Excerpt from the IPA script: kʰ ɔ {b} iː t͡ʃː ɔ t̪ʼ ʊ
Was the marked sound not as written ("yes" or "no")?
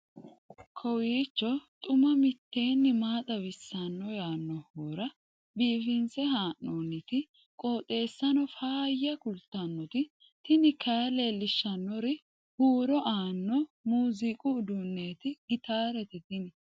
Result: yes